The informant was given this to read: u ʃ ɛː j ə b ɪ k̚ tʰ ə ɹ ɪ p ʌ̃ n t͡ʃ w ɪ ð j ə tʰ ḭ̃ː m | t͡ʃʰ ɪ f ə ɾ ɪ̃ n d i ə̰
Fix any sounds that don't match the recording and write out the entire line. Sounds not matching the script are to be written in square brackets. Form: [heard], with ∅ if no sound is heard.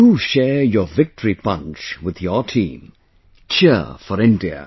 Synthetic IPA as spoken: u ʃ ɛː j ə [v] ɪ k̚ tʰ ə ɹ [i] p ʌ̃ n t͡ʃ w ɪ ð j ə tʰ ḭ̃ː m | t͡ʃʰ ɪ f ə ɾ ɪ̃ n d i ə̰